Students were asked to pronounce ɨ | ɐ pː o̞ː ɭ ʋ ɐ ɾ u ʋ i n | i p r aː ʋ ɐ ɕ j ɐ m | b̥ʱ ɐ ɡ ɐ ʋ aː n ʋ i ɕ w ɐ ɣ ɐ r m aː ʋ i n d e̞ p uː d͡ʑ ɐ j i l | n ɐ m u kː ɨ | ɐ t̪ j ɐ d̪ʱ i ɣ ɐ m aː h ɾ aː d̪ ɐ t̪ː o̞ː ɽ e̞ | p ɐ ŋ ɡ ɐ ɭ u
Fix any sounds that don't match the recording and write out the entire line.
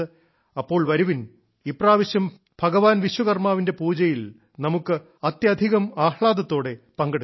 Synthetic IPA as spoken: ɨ | ɐ pː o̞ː ɭ ʋ ɐ ɾ u ʋ i n | i p r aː ʋ ɐ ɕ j ɐ m | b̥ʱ ɐ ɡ ɐ ʋ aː n ʋ i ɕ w ɐ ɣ ɐ r m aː ʋ i n d e̞ p uː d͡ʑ ɐ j i l | n ɐ m u kː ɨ | ɐ t̪ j ɐ d̪ʱ i ɣ ɐ m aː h ɭ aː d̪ ɐ t̪ː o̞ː ɽ e̞ | p ɐ ŋ ɡ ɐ ɽ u